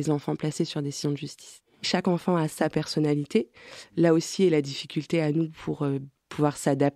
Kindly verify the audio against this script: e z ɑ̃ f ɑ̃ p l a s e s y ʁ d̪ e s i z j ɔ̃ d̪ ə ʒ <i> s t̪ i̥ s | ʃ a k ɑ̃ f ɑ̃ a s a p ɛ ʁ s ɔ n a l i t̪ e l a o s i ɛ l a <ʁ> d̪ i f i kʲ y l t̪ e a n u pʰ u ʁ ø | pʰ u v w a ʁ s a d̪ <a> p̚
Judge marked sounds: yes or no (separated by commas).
no, no, yes